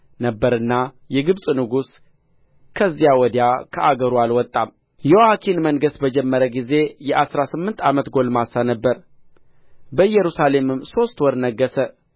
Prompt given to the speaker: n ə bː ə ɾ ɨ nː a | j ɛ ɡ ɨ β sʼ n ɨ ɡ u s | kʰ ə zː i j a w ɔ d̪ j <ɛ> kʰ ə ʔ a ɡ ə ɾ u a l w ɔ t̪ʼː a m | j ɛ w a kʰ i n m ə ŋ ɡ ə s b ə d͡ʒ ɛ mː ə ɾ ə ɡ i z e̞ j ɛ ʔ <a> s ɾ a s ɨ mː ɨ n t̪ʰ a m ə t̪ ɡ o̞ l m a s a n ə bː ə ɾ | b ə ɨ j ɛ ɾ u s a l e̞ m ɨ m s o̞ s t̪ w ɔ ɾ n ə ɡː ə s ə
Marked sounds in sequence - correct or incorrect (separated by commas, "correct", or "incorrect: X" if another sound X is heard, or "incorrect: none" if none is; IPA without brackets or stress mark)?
incorrect: a, correct